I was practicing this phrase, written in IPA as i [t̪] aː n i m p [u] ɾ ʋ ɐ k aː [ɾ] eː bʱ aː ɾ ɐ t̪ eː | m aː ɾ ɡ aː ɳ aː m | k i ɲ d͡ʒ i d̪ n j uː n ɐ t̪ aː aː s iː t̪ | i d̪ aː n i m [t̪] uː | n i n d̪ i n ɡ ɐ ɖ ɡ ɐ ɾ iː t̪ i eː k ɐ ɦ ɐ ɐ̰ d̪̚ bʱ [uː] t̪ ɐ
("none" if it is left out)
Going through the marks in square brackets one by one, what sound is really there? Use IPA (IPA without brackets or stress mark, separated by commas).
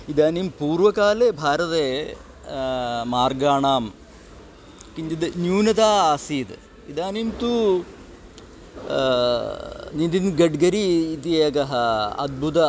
d̪, uː, l, t̪, u